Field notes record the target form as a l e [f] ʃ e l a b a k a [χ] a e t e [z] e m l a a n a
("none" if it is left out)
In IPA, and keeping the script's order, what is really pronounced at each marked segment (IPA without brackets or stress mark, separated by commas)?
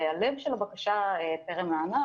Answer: v, ʃ, ʁ